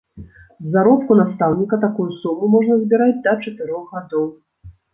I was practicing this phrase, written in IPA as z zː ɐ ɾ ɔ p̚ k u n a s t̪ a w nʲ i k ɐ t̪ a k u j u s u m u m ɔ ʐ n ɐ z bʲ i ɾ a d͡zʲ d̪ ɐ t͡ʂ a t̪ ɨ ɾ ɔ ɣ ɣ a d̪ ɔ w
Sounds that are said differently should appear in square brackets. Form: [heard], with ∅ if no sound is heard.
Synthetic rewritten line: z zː [a] ɾ ɔ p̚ k u n a s t̪ a w nʲ i k ɐ t̪ a k u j u s u m u m ɔ ʐ n ɐ z bʲ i ɾ a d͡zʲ d̪ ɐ t͡ʂ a t̪ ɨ ɾ ɔ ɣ ɣ a d̪ ɔ w